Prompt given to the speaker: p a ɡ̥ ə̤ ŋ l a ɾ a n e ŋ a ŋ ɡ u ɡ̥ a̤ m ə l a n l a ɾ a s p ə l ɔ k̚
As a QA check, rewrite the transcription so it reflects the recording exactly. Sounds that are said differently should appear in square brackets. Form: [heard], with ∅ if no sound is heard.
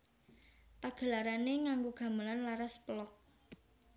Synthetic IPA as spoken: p a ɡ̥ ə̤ [∅] l a ɾ a n e ŋ a ŋ ɡ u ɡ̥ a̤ m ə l a n l a ɾ a s p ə l ɔ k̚